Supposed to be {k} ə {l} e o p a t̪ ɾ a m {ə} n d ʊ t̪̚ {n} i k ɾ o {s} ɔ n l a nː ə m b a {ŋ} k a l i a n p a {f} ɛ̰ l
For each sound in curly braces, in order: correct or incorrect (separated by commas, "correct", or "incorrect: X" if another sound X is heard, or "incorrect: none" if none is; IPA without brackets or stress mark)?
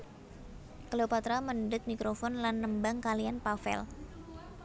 correct, correct, correct, incorrect: m, incorrect: f, correct, correct